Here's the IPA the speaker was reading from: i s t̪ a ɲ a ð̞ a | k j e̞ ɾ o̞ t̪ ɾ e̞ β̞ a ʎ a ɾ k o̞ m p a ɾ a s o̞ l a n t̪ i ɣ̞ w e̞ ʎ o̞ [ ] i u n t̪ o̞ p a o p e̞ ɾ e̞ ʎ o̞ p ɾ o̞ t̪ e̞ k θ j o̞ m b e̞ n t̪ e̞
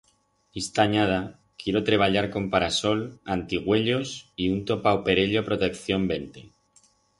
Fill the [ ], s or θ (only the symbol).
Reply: s